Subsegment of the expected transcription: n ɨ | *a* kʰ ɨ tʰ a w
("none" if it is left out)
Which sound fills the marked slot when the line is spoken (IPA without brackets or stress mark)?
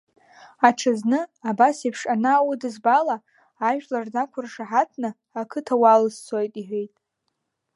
a